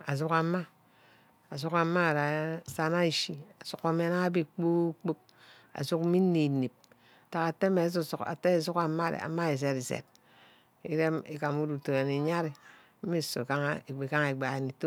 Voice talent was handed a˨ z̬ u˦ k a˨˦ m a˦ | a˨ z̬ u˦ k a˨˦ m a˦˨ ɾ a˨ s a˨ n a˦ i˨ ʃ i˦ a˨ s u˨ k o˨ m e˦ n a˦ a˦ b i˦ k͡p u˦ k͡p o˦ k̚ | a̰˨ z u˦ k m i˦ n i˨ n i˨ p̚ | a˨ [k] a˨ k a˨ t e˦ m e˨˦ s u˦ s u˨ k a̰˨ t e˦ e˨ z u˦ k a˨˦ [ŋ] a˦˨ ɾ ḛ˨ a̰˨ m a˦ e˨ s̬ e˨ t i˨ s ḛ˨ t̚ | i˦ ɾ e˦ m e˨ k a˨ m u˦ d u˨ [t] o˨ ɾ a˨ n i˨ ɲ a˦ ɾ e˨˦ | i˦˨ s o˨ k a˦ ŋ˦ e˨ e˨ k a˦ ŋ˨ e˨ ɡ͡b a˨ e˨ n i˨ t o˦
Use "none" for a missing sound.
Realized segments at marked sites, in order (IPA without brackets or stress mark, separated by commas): t, m, t